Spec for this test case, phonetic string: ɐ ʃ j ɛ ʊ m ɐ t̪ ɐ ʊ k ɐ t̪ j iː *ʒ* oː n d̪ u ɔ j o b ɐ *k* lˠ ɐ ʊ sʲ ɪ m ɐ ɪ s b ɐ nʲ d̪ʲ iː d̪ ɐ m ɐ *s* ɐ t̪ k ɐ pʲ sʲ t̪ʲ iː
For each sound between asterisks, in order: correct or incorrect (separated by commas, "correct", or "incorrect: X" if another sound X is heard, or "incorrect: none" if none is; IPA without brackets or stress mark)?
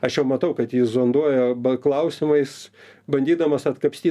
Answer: incorrect: z, correct, correct